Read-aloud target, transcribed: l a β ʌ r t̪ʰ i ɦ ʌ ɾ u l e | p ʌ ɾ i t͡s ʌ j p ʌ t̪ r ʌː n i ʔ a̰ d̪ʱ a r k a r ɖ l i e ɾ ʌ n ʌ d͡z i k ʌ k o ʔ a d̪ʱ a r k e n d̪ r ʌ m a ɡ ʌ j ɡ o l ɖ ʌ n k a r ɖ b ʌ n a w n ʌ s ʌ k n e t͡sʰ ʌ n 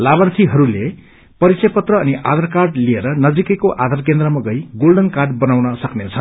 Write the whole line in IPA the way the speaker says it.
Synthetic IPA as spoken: l a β ʌ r t̪ʰ i ɦ ʌ ɾ u l e | p ʌ ɾ i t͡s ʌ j p ʌ t̪ r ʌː n i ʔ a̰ d̪ʱ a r k a r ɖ l i e ɾ ʌ n ʌ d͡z i k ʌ k o ʔ a d̪ʱ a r k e n d̪ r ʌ m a ɡ ʌ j ɡ o l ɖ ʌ n k a r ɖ b ʌ n a w n ʌ s ʌ k n e t͡sʰ ʌ n